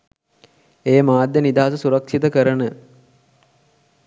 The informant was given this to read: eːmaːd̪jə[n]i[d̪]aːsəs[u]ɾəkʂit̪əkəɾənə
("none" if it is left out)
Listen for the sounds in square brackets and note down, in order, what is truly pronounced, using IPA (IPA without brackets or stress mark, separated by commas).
n, d̪, u